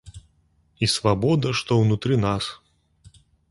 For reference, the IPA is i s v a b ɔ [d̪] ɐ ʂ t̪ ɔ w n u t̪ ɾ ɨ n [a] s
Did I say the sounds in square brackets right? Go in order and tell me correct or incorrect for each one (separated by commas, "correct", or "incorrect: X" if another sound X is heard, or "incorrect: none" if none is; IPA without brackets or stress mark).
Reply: correct, correct